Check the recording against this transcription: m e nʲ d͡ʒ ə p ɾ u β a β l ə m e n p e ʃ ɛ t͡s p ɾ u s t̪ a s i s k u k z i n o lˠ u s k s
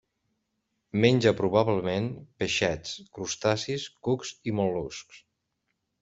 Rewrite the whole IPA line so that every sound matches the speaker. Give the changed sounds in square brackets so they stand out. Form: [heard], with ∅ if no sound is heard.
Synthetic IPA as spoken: m e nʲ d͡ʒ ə p ɾ u β a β l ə m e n p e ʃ ɛ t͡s [k] ɾ u s t̪ a s i s k u k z i [m] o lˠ u s k s